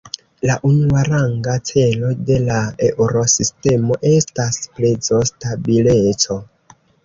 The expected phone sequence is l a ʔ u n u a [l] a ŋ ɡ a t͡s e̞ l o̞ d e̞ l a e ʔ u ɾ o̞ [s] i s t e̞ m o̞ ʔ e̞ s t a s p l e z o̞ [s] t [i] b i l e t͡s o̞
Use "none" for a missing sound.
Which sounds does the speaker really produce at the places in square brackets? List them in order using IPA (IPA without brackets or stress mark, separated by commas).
ɾ, s, s, a